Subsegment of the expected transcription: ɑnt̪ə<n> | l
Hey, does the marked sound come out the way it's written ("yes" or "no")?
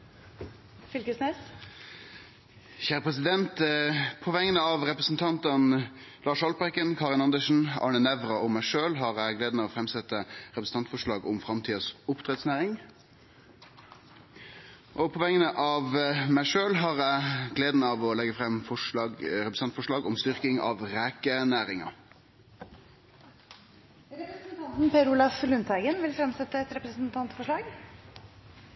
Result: yes